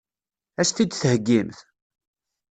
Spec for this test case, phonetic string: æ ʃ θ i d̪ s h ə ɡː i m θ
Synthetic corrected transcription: æ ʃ θ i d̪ θ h ə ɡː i m θ